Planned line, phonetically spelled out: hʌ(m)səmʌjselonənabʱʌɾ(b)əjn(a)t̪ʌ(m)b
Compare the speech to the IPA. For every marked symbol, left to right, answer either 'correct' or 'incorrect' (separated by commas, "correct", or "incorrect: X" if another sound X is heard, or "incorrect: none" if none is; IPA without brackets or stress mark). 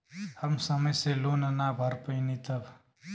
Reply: correct, incorrect: p, incorrect: i, incorrect: none